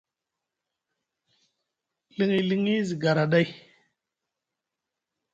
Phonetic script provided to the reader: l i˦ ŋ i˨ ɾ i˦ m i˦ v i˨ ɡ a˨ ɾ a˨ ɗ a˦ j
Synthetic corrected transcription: l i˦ ŋ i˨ l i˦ ŋ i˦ z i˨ ɡ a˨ ɾ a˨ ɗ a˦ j